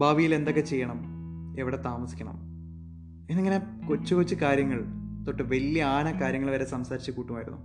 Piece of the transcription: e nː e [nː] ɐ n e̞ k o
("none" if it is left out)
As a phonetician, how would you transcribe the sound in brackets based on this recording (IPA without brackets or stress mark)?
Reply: ŋː